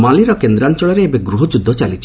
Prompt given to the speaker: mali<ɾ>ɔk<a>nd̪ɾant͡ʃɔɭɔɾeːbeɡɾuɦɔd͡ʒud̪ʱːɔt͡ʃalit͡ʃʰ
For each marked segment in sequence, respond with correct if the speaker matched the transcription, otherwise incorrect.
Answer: correct, incorrect: e

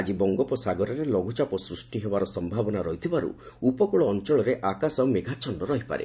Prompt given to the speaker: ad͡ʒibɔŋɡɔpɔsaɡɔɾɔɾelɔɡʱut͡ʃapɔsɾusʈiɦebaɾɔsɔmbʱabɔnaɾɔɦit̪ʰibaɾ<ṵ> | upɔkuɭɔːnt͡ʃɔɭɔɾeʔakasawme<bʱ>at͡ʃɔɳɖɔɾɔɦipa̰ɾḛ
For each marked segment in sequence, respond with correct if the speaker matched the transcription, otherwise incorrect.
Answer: correct, incorrect: ɡʱ

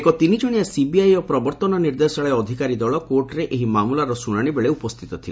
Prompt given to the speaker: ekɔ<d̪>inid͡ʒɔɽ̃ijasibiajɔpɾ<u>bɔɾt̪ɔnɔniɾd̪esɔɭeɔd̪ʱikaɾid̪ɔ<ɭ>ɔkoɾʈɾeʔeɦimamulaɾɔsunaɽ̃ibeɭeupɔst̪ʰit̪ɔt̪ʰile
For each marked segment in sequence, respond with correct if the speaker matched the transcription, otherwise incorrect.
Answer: incorrect: t̪, incorrect: ɔ, correct

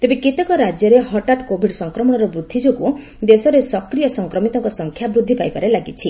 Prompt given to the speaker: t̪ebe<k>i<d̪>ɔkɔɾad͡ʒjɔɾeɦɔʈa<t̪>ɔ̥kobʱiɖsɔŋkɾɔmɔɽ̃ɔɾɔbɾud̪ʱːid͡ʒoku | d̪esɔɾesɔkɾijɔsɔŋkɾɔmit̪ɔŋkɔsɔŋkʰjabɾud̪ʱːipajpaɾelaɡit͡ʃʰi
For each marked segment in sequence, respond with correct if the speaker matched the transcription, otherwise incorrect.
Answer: correct, incorrect: t̪, correct

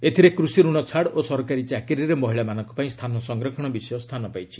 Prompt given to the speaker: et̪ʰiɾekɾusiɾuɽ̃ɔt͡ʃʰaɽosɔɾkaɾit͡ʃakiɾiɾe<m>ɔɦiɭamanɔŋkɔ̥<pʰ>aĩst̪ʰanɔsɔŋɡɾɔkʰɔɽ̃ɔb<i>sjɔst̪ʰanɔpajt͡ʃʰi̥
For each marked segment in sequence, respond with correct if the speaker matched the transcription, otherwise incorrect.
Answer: correct, incorrect: p, correct

